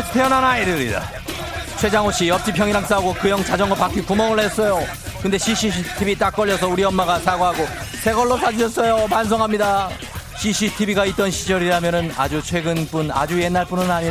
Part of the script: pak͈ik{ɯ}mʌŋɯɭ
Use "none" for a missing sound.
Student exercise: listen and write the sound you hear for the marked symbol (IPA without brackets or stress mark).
u